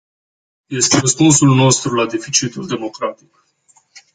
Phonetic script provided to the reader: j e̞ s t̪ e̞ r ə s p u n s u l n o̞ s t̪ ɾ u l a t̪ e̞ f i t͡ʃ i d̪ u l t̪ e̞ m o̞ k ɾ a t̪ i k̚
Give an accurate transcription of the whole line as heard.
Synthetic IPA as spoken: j e̞ s t̪ e̞ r ə s p u n s u l n o̞ s t̪ ɾ u l a d̪ e̞ f i t͡ʃ i t̪ u l d̪ e̞ m o̞ k ɾ a t̪ i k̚